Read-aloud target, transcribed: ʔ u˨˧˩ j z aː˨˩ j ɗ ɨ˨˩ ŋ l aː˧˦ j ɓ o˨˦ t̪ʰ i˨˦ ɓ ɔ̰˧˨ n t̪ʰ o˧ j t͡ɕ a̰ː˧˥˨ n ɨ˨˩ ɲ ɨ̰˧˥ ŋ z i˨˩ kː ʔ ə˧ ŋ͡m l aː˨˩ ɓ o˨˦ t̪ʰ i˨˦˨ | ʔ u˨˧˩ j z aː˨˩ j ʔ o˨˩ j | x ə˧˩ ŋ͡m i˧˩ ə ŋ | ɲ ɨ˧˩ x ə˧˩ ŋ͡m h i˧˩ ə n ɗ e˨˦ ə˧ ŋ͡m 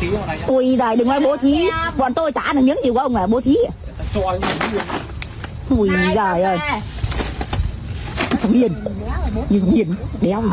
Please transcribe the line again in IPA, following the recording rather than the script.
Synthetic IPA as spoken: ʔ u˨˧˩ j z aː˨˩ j ɗ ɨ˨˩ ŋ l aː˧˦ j ɓ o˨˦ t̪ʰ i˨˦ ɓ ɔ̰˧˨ n t̪ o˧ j t͡ɕ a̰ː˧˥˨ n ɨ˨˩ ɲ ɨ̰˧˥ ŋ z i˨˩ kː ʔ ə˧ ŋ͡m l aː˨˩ ɓ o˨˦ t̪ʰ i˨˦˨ | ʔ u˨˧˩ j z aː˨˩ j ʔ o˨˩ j | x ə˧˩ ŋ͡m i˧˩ ə n | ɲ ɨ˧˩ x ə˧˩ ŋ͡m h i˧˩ ə n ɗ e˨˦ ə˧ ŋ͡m